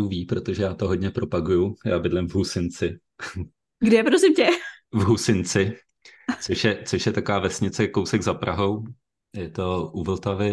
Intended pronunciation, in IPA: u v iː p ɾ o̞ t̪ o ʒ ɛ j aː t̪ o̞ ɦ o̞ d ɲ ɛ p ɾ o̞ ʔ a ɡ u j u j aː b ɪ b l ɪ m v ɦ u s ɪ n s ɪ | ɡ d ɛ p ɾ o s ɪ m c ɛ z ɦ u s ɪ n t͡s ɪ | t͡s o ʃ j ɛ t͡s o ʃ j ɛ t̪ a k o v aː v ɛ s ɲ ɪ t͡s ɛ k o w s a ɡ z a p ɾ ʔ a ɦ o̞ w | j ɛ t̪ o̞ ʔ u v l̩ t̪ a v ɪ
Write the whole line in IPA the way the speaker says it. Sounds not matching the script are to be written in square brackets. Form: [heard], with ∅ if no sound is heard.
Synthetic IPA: u v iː p ɾ o̞ t̪ o ʒ ɛ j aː t̪ o̞ ɦ o̞ d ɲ ɛ p ɾ o̞ [p] a ɡ u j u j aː b ɪ [d] l ɪ m v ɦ u s ɪ n [t͡s] ɪ | ɡ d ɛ p ɾ o s ɪ m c ɛ [v] ɦ u s ɪ n t͡s ɪ | t͡s o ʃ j ɛ t͡s o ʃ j ɛ t̪ a k o v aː v ɛ s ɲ ɪ t͡s ɛ k o w s [ɛ] ɡ z a p ɾ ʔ a ɦ o̞ w | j ɛ t̪ o̞ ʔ u v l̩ t̪ a v ɪ